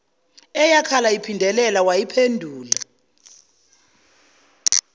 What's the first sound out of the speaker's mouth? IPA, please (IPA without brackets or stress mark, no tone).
ɛ